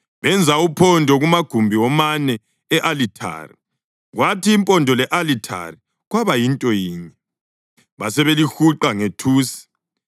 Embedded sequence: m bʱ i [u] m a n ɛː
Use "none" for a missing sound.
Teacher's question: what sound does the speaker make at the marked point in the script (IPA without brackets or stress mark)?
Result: ɔ